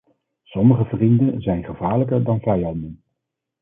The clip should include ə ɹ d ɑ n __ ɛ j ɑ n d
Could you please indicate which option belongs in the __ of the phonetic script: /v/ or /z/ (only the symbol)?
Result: v